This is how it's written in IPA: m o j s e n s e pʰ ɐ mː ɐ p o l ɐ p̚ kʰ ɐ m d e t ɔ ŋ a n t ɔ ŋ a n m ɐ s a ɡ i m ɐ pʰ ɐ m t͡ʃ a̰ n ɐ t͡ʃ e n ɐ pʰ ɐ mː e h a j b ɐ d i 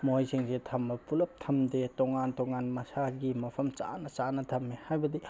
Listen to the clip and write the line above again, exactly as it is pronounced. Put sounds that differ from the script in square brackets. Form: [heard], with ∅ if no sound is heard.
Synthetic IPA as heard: m o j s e [ŋ] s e [tʰ] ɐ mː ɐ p [u] l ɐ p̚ [tʰ] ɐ m d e t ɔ ŋ a n t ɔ ŋ a n m ɐ s a ɡ i m ɐ pʰ ɐ m t͡ʃ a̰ n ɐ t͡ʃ [a] n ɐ [tʰ] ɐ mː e h a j b ɐ d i